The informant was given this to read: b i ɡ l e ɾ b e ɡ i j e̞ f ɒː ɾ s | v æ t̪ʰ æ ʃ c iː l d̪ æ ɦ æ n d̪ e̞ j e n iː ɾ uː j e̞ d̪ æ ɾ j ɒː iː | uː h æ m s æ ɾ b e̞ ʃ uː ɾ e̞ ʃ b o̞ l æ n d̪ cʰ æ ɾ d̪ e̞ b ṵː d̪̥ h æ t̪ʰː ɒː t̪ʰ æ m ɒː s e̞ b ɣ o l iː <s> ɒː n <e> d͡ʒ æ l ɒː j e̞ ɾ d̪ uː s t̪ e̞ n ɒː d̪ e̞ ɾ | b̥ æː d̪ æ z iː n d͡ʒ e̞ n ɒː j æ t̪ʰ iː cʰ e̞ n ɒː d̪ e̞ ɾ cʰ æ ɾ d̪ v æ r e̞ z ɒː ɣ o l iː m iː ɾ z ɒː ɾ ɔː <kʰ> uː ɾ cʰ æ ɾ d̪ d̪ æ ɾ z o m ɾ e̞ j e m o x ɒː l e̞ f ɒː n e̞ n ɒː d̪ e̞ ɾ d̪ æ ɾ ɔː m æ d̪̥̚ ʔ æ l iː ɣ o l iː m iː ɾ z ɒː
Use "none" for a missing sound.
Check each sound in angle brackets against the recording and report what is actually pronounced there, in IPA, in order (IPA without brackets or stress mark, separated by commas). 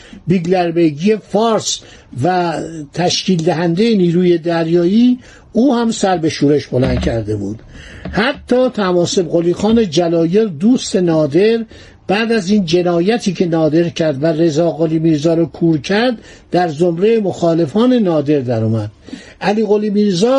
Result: x, e, kʰ